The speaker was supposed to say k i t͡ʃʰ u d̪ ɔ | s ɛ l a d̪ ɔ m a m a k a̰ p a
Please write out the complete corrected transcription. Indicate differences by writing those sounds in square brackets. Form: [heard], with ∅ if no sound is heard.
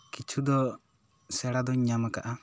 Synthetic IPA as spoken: k i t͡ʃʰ u d̪ ɔ | s ɛ [ɽ] a d̪ ɔ [ɲ] a m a k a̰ [ʔ] a